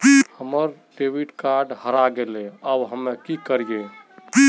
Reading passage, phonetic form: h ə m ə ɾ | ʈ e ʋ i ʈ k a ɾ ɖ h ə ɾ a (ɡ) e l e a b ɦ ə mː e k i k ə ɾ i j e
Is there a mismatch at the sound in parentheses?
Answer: no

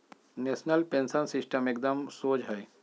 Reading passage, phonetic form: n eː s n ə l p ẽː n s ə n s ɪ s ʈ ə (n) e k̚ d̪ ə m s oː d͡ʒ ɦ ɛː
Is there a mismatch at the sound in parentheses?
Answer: yes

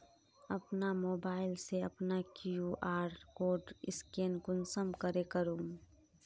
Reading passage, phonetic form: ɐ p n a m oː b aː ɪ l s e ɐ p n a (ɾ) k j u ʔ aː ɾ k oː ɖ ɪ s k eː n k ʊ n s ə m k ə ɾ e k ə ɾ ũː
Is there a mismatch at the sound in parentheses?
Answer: yes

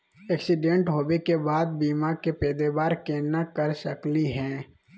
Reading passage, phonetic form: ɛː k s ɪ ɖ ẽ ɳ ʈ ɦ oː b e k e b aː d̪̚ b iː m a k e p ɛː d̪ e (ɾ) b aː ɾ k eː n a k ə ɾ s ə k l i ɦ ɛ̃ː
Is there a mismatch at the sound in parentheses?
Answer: yes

